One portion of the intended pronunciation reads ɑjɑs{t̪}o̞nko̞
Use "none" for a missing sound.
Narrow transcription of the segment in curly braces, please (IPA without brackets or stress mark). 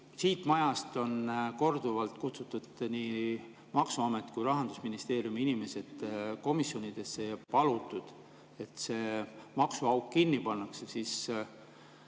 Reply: t̪